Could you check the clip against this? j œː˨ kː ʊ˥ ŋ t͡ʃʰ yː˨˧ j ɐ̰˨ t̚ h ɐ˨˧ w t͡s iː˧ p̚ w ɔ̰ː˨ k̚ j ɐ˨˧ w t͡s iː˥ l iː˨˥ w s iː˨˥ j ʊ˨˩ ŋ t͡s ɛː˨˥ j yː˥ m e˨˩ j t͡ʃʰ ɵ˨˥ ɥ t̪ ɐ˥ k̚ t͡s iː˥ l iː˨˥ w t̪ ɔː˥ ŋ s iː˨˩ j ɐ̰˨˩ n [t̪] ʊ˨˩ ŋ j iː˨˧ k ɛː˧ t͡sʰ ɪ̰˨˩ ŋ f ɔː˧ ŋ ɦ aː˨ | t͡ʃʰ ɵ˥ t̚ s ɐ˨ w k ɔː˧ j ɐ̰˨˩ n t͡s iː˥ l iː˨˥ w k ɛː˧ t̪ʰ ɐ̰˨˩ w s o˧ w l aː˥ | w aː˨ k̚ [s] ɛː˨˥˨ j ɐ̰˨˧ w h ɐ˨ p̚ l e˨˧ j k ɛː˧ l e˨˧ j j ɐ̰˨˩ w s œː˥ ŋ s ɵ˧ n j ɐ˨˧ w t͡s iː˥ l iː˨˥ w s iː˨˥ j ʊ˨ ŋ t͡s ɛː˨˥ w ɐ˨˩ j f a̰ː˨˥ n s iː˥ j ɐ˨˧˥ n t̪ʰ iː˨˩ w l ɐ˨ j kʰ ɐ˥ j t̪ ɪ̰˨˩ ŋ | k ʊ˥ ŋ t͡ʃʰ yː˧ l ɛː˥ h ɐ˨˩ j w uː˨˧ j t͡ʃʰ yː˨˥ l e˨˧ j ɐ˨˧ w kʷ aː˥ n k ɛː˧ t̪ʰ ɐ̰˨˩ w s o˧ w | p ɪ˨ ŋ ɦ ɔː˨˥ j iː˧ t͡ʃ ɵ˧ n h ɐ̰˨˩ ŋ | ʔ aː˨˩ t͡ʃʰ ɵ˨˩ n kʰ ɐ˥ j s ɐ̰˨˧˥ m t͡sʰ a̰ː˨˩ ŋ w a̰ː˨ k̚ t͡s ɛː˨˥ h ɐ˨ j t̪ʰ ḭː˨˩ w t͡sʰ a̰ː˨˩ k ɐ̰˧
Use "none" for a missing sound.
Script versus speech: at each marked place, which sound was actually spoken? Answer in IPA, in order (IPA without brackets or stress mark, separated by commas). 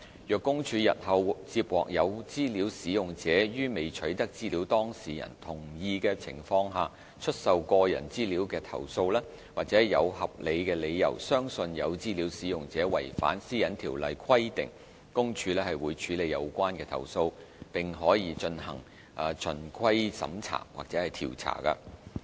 t̪ʰ, t͡s